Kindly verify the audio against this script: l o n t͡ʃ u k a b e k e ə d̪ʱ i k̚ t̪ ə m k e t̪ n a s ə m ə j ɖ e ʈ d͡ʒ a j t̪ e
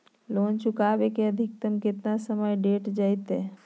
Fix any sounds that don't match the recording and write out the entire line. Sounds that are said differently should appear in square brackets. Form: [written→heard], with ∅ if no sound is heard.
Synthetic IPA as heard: l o n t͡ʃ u k a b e k e ə d̪ʱ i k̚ t̪ ə m k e t̪ n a s ə m ə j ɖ e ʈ d͡ʒ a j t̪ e